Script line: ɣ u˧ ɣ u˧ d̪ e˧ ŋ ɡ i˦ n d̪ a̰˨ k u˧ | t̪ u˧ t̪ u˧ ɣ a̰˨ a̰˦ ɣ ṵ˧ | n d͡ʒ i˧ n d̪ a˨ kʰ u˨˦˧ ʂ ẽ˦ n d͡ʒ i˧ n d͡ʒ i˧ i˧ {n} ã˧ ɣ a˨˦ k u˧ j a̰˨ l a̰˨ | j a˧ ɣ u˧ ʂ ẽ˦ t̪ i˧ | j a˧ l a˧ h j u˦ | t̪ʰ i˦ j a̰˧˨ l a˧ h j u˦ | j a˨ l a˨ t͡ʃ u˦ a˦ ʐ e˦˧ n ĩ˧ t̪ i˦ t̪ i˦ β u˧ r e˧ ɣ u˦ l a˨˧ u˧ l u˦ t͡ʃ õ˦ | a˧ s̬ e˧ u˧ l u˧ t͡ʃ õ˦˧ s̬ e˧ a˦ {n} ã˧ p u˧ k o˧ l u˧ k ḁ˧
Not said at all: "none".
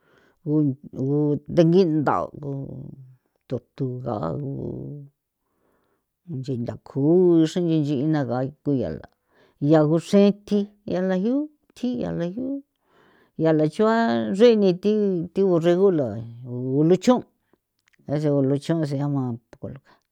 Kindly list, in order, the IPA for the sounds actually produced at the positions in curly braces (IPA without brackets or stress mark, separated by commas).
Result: n, m